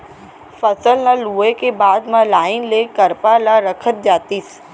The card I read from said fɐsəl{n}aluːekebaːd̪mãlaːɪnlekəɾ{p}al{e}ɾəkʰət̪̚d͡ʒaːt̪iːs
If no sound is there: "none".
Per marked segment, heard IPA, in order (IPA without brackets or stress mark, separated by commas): n, p, a